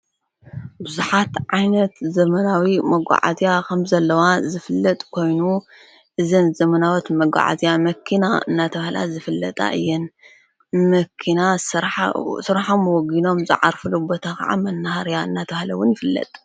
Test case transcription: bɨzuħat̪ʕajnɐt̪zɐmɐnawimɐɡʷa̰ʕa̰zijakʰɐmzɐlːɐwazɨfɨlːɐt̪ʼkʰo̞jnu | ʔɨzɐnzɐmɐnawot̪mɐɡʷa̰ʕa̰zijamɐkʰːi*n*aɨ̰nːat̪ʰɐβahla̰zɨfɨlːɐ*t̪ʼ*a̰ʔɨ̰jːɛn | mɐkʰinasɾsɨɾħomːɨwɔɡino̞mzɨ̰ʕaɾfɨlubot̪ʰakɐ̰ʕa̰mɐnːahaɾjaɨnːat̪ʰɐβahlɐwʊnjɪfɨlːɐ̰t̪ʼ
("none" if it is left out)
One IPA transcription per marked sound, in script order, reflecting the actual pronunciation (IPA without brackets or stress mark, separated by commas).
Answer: n, t̪ʼ